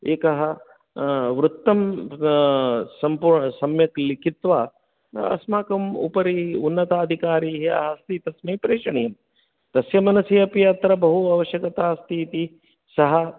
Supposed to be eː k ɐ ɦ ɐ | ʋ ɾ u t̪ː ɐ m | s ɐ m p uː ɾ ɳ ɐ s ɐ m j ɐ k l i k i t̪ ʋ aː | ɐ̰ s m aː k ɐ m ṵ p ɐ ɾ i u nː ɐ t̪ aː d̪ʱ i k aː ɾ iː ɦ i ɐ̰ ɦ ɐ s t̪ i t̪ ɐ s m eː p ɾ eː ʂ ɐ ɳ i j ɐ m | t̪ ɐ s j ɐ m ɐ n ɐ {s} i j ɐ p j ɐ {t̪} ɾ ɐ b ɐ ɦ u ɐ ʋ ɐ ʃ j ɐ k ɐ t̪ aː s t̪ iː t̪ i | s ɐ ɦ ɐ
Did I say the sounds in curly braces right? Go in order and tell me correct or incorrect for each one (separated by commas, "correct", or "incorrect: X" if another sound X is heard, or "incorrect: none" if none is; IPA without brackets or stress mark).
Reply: correct, correct